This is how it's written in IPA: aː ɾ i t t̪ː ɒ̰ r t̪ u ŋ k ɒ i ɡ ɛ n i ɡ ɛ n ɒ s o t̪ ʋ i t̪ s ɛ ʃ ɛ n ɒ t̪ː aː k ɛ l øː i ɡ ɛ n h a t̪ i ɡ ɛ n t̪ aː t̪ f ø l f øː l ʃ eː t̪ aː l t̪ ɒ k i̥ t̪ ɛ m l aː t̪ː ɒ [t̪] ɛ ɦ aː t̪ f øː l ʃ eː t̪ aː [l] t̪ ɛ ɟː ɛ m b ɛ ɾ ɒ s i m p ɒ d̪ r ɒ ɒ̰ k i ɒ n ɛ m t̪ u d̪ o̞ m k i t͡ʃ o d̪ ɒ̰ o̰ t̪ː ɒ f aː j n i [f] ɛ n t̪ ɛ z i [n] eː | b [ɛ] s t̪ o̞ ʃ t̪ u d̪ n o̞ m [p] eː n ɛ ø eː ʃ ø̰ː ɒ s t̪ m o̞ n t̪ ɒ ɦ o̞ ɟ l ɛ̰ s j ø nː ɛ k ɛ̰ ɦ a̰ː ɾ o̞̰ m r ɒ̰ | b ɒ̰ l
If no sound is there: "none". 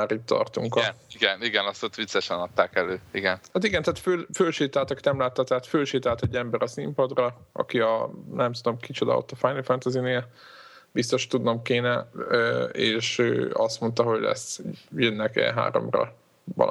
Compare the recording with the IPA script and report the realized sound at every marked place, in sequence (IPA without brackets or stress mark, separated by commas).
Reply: t̪, l, f, n, i, k